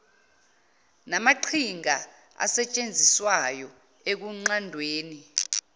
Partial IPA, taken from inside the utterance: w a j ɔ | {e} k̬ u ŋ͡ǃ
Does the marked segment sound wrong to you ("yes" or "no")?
no